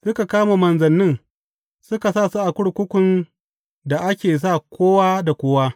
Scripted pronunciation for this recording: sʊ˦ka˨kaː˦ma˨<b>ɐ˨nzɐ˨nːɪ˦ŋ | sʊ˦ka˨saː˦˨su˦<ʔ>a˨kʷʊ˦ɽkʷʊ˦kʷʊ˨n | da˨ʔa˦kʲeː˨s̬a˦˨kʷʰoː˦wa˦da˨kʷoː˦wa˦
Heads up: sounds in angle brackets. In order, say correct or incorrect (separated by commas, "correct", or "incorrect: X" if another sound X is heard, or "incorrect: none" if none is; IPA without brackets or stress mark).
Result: incorrect: m, correct